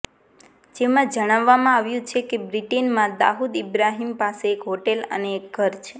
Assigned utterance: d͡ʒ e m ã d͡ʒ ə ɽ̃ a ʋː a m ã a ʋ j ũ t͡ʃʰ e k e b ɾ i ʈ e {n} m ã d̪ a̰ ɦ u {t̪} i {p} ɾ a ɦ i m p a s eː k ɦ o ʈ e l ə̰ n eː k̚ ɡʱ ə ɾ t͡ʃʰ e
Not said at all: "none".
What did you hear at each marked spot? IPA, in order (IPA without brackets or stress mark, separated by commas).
n, d̪, b